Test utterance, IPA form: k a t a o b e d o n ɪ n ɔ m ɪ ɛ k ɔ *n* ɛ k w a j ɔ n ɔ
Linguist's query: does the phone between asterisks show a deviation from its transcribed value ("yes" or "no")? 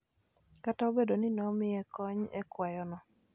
yes